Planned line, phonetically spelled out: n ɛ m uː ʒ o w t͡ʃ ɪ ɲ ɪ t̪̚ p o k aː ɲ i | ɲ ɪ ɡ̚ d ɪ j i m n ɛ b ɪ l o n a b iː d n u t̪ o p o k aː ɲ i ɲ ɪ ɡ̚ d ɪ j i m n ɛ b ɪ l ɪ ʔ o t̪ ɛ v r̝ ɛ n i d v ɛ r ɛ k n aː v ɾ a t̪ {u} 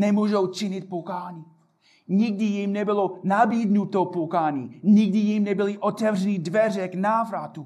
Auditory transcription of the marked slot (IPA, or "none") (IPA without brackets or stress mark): u